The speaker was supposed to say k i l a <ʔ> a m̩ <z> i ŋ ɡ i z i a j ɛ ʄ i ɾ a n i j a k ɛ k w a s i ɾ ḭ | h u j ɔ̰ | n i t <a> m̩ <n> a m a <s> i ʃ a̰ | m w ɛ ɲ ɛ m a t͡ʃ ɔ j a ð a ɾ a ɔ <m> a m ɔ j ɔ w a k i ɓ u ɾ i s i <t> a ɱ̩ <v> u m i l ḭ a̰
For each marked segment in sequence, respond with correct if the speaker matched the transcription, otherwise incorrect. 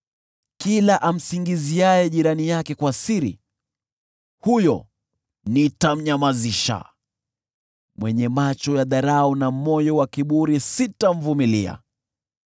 correct, incorrect: s, correct, incorrect: ɲ, incorrect: z, incorrect: n, correct, correct

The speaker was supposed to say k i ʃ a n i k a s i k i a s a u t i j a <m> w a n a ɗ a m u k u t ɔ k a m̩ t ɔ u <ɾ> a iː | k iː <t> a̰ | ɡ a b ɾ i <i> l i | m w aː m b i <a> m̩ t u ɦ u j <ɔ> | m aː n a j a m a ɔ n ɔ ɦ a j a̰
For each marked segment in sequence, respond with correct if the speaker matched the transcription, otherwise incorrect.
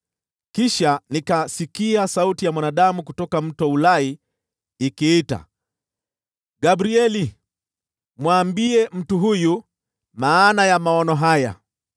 correct, incorrect: l, correct, incorrect: ɛ, incorrect: ɛ, incorrect: u

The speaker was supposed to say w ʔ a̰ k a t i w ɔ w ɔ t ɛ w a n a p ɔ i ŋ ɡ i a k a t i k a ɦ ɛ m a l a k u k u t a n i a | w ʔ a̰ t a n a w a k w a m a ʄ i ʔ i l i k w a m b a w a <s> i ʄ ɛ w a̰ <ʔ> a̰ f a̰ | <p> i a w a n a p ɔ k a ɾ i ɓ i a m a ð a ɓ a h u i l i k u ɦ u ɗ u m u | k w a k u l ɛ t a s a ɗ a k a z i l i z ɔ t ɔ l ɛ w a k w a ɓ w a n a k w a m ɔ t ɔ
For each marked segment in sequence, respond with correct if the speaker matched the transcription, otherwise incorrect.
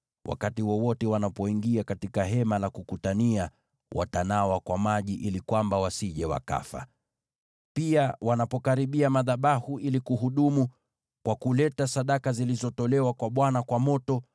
correct, incorrect: k, correct

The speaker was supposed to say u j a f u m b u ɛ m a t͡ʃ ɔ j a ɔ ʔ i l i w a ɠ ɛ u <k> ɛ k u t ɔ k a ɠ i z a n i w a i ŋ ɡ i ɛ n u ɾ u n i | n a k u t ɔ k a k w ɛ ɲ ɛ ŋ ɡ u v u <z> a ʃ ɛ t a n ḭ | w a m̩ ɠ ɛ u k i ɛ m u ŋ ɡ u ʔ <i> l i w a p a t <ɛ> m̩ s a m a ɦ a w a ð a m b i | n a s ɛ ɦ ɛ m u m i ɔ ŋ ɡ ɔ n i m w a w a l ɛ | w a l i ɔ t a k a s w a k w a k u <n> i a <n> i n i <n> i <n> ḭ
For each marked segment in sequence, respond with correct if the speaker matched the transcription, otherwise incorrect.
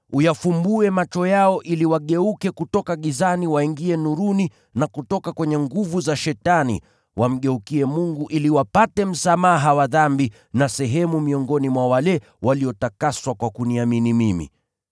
correct, correct, correct, correct, correct, incorrect: m, incorrect: m, incorrect: m

